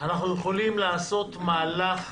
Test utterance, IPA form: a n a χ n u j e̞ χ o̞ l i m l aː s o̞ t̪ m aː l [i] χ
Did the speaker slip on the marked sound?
yes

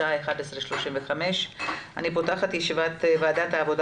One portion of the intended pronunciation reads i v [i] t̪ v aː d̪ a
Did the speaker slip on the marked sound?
yes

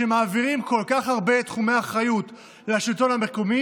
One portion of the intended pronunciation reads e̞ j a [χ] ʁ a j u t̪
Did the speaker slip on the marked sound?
no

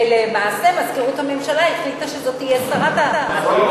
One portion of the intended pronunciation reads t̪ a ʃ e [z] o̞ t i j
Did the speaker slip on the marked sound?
no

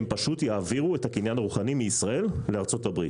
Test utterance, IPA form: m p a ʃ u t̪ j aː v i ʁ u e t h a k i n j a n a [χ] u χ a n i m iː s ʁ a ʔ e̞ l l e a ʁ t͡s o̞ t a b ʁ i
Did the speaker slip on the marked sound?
yes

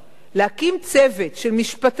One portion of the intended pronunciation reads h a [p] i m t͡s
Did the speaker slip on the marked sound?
yes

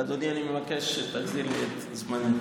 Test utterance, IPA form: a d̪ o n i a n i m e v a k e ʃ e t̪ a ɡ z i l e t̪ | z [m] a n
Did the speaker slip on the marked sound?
no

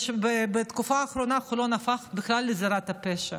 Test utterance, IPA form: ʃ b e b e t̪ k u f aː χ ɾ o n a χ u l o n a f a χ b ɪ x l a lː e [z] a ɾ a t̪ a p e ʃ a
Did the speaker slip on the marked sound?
no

